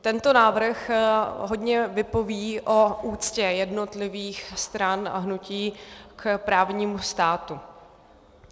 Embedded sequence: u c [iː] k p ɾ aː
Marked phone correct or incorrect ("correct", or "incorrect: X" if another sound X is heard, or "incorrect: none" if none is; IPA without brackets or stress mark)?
correct